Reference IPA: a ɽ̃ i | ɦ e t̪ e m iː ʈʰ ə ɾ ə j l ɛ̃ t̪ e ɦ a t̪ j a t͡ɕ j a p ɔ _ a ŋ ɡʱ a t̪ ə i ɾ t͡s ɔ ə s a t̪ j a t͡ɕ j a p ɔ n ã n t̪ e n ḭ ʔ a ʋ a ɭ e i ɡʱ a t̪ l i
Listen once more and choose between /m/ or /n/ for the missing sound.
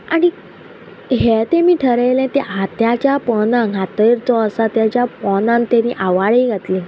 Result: n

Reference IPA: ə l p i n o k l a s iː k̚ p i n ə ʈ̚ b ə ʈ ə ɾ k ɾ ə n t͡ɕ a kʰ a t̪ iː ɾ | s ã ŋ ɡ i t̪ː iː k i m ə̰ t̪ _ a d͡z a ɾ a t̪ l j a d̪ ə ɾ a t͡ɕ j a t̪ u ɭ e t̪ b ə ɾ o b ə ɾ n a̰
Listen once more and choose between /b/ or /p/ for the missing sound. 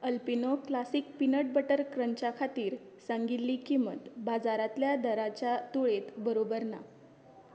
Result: b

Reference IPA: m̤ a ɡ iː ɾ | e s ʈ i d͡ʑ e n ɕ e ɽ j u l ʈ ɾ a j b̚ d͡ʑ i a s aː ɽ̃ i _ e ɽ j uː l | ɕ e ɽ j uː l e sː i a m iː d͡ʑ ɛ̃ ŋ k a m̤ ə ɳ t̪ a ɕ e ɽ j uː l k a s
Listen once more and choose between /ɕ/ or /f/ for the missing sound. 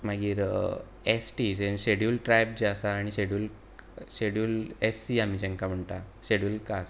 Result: ɕ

